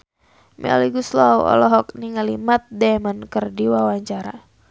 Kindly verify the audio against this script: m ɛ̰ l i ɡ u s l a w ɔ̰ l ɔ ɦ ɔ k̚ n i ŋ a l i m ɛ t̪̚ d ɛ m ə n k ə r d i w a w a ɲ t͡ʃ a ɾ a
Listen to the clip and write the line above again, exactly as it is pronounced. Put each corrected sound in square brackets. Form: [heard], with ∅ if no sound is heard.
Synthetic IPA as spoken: m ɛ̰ l i ɡ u s l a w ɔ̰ l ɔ ɦ ɔ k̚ n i ŋ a l i m [a] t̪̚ d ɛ m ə n k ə r d i w a w a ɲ t͡ʃ a ɾ a